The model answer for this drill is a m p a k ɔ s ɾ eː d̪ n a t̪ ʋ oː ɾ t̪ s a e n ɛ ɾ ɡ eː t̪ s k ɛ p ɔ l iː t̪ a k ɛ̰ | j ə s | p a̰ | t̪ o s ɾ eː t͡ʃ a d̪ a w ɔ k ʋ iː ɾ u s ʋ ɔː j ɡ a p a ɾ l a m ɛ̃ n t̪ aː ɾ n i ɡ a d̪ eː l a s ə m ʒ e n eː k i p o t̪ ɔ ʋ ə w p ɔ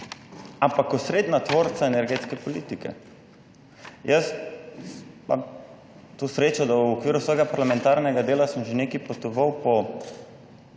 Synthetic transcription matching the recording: a m p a k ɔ s ɾ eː d̪ n a t̪ ʋ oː ɾ t̪ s a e n ɛ ɾ ɡ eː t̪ s k ɛ p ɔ l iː t̪ i k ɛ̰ | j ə s | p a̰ | t̪ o s ɾ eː t͡ʃ a d̪ a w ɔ k ʋ iː ɾ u s ʋ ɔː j ɡ a p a ɾ l a m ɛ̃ n t̪ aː ɾ n ɛ ɡ a d̪ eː l a s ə m ʒ e n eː k i p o t̪ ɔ ʋ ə w p ɔ